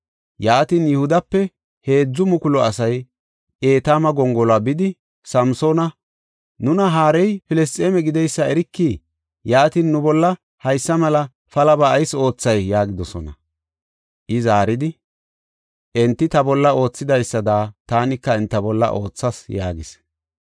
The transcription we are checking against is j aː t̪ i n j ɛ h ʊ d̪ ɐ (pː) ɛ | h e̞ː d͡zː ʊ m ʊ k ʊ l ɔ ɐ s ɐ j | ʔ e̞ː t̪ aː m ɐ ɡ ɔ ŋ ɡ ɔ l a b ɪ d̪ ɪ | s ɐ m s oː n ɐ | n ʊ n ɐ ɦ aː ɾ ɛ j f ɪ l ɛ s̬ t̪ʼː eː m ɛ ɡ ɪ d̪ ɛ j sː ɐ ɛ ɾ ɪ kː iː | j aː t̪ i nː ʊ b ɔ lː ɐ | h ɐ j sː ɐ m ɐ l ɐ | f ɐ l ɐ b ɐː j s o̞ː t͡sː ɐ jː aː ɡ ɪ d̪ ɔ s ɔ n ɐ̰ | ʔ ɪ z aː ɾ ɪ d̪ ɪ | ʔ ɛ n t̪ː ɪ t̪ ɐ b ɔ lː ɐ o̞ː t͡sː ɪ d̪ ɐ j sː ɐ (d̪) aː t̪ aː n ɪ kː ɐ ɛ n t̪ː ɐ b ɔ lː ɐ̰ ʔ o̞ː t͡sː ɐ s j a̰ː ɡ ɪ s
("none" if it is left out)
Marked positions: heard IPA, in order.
pː, d̪

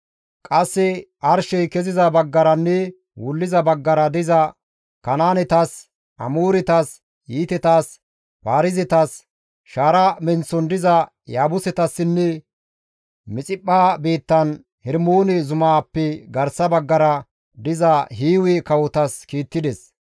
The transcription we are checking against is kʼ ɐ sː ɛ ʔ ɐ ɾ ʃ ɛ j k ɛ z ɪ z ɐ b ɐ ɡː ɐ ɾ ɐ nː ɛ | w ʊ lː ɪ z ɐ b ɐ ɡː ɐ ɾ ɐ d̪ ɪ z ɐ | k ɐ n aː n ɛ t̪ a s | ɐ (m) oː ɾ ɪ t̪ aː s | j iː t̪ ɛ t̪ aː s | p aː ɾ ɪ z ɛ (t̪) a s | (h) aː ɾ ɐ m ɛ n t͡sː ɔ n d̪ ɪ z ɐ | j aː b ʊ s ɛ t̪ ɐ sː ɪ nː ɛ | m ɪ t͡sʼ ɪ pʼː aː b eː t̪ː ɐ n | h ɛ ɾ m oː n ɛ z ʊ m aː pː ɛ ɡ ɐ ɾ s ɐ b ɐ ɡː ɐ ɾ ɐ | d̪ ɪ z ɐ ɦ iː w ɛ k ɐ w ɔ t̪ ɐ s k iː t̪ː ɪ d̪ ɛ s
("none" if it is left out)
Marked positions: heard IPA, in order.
m, t̪, ʃ

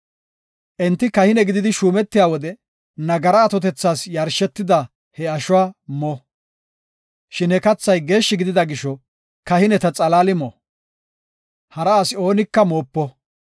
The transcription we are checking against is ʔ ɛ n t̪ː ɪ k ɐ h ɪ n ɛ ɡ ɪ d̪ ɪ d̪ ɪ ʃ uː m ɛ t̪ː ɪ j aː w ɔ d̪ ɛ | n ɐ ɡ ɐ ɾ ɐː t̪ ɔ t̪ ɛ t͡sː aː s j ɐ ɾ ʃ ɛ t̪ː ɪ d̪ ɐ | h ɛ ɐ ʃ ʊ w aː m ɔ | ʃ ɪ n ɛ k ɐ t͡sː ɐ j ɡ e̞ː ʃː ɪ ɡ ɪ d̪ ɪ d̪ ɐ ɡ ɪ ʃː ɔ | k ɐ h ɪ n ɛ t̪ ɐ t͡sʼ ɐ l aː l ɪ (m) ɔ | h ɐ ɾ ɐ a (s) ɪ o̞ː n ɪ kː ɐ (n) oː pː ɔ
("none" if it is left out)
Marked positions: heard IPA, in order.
m, s, m

